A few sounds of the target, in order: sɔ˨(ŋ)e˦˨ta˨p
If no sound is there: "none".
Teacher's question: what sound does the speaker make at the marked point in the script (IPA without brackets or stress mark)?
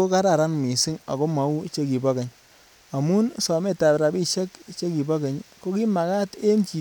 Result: m